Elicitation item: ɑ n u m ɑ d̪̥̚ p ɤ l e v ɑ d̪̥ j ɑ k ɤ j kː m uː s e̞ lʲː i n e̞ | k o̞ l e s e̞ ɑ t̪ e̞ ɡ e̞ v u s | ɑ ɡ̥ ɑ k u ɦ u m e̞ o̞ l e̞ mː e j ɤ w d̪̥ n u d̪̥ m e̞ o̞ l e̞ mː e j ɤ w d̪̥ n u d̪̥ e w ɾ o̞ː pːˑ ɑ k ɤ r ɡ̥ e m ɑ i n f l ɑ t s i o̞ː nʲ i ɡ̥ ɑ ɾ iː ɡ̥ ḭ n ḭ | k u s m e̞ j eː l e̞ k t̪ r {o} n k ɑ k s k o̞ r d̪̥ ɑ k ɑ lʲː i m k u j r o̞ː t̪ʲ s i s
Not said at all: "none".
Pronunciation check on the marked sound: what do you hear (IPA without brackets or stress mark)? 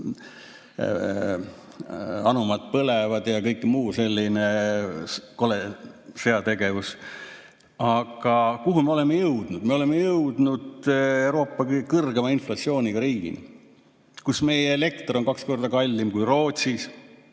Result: o